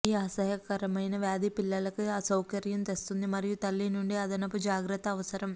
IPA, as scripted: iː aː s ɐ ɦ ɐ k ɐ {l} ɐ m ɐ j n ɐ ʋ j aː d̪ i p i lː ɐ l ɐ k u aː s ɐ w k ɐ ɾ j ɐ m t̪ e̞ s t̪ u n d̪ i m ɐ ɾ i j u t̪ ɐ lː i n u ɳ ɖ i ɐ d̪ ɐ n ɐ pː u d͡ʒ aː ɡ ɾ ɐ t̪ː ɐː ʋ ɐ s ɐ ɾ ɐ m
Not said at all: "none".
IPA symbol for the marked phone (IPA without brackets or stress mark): ɾ